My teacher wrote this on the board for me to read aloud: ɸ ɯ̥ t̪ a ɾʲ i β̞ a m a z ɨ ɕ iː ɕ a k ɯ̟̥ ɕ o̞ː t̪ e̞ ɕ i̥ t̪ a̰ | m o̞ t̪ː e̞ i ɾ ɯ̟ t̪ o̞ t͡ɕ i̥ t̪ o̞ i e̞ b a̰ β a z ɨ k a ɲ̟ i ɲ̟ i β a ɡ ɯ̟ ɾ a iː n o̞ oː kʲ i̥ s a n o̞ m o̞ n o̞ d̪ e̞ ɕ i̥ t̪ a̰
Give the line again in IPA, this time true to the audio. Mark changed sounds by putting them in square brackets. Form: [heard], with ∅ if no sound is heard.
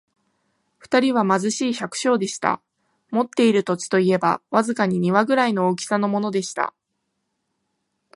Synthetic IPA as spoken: ɸ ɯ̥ t̪ a ɾʲ i β̞ a m a z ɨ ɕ iː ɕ a k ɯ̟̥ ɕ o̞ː [d̪] e̞ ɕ i̥ t̪ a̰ | m o̞ t̪ː e̞ i ɾ ɯ̟ t̪ o̞ t͡ɕ i̥ t̪ o̞ i e̞ b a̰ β a z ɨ k a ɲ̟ i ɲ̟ i β a ɡ ɯ̟ ɾ a [i] n o̞ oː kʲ i̥ s a n o̞ m o̞ n o̞ d̪ e̞ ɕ i̥ t̪ a̰